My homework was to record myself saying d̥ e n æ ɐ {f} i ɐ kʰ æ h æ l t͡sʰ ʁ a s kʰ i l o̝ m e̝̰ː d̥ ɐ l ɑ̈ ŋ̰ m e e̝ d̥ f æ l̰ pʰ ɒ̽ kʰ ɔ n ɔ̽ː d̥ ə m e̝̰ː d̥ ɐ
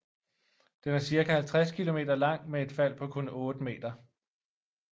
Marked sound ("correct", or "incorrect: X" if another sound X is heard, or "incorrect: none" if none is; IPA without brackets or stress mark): incorrect: s